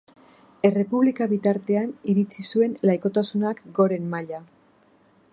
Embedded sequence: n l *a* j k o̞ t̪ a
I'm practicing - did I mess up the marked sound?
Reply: no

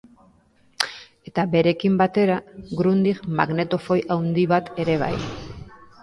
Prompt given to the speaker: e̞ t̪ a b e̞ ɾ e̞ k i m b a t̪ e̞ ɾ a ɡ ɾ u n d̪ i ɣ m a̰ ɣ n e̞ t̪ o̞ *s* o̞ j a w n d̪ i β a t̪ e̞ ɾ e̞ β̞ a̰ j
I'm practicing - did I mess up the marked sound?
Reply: yes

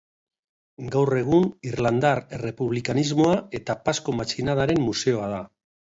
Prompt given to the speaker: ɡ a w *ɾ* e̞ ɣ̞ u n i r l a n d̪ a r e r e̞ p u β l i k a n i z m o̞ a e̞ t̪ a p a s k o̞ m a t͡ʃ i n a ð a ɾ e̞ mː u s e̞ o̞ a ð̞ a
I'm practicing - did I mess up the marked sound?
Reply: yes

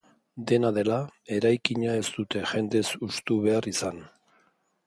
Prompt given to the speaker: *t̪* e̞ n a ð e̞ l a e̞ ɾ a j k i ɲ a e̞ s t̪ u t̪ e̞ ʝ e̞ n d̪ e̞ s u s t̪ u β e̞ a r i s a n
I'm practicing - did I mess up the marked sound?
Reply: yes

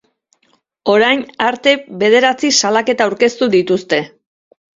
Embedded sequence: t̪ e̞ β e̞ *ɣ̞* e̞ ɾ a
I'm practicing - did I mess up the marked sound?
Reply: yes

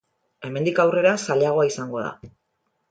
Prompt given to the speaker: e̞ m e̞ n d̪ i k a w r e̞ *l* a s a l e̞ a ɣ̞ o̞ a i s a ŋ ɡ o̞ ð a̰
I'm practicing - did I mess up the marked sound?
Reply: yes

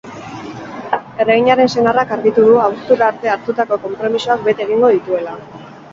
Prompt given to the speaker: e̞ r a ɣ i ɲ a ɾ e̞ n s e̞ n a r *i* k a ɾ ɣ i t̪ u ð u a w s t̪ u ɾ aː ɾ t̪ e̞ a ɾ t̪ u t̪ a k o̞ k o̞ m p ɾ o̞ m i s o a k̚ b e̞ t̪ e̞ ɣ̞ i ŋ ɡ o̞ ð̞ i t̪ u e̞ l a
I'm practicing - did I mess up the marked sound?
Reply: yes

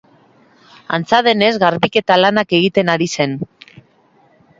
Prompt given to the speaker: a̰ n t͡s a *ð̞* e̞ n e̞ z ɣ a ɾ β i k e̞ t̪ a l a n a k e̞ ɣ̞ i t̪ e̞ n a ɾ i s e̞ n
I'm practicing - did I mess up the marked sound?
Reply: no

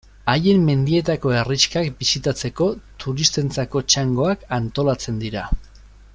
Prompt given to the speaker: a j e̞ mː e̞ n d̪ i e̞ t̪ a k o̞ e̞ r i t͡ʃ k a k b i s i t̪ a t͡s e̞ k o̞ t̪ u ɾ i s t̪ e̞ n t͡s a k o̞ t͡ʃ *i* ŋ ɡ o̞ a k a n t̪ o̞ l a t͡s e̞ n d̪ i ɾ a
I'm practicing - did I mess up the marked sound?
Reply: yes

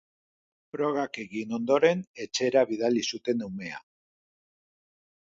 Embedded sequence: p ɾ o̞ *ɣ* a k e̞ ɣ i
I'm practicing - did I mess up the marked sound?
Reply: no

